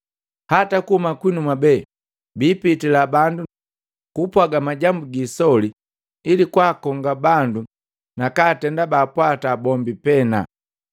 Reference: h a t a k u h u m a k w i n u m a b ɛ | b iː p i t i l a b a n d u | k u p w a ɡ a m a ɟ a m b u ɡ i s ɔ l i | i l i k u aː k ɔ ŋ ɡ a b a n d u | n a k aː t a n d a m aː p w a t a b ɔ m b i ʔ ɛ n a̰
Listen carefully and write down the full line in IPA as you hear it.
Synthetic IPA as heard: h a t a k u h u m a k w i n u m a b ɛ | b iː p i t i l a b a n d u | k u p w a ɡ a m a ɟ a m b u ɡ i s ɔ l i | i l i k w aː k ɔ ŋ ɡ a b a n d u | n a k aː t ɛ n d a b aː p w a t a b ɔ m b i p ɛ n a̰